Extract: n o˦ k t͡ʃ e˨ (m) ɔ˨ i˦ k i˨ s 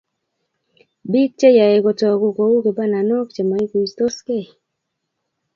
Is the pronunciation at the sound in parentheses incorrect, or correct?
correct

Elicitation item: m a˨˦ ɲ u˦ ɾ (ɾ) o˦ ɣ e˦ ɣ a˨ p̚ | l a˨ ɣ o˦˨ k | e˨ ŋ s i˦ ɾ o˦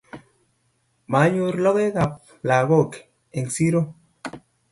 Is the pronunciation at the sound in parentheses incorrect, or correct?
incorrect: l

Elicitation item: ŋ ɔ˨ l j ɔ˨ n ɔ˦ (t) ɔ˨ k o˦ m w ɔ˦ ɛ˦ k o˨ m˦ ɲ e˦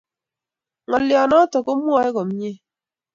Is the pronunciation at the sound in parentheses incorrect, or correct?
correct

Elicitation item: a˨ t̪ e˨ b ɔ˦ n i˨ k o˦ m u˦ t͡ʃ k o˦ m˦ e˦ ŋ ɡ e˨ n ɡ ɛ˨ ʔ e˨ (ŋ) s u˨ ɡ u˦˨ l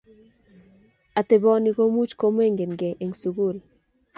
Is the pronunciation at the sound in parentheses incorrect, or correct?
correct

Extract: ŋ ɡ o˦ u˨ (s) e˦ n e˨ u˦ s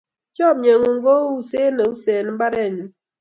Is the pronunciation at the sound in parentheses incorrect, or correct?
correct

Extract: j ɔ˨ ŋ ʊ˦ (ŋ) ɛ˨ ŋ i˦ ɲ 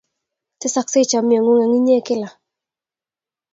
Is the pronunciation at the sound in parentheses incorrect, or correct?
correct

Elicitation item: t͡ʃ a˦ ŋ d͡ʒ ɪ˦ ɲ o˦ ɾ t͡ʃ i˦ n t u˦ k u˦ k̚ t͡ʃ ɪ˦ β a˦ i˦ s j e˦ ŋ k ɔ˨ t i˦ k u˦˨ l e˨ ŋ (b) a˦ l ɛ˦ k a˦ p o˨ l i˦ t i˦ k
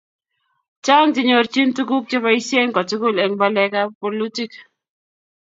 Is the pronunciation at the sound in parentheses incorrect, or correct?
correct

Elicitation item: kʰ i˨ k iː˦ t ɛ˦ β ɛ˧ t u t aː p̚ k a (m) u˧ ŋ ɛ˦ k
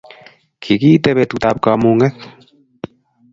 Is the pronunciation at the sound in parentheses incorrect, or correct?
correct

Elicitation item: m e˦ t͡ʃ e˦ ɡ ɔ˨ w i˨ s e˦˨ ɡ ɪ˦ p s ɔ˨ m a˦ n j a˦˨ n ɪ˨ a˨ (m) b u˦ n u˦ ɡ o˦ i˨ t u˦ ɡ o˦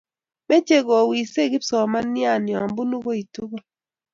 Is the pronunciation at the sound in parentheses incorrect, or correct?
correct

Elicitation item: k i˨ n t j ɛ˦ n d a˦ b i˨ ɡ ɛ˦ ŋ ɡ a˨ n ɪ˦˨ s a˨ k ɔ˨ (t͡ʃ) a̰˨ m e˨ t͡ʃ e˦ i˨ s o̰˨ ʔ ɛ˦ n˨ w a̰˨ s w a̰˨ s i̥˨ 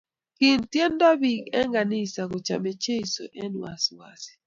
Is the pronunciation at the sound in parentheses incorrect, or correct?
correct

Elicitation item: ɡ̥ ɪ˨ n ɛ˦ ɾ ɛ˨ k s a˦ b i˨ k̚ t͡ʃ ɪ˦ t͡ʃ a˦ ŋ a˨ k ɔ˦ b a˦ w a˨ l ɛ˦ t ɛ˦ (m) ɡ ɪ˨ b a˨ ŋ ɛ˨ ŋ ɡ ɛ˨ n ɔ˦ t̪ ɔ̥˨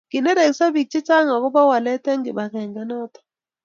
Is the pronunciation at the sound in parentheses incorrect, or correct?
incorrect: ŋ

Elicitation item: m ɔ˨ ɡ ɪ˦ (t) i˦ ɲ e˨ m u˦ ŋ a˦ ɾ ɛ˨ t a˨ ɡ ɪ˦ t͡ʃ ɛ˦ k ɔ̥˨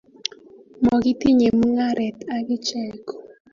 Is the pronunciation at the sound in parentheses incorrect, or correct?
correct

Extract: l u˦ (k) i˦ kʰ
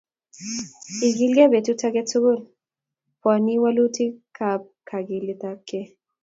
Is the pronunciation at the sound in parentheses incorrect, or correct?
incorrect: t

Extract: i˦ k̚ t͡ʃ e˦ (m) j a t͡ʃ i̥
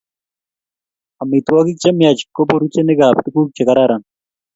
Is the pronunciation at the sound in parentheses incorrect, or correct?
correct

